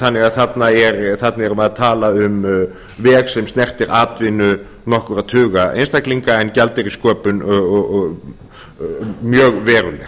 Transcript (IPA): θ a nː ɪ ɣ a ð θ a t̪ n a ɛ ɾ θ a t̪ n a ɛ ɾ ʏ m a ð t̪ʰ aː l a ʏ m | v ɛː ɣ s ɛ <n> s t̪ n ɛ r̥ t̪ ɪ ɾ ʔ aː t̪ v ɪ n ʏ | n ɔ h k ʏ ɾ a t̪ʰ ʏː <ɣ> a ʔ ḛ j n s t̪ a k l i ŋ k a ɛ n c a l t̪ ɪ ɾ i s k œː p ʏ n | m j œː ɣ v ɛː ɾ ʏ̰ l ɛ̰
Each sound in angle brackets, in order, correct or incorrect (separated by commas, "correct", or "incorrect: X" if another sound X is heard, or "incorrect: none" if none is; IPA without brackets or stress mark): incorrect: m, correct